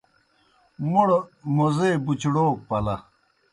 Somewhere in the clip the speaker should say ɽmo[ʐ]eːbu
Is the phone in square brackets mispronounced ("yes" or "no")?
yes